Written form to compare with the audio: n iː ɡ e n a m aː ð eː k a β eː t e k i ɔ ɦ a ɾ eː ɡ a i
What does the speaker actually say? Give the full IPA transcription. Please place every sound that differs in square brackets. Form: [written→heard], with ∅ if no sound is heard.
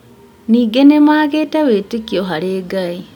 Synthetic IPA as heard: n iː ɡ e n [a→e] m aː [ð→ɣ] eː [k→t] a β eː t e k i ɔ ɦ a ɾ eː ɡ a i